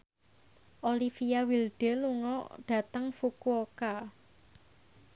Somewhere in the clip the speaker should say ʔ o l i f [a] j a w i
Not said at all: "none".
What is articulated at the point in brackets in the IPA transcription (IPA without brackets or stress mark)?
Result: i